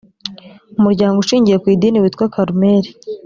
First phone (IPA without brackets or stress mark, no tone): u